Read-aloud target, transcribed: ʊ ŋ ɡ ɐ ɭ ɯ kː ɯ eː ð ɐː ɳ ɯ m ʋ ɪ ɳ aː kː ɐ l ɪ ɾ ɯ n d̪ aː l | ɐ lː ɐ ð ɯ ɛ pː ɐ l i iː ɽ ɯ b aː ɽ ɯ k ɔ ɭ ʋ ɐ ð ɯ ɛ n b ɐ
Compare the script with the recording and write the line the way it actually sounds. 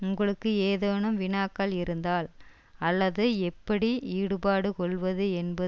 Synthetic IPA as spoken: ʊ ŋ ɡ ɐ ɭ ɯ kː ɯ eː ð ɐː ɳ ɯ m ʋ ɪ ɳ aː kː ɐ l ɪ ɾ ɯ n d̪ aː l | ɐ lː ɐ ð ɯ ɛ pː ɐ ɽ i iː ɽ ɯ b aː ɽ ɯ k ɔ ɭ ʋ ɐ ð ɯ ɛ n b ɐ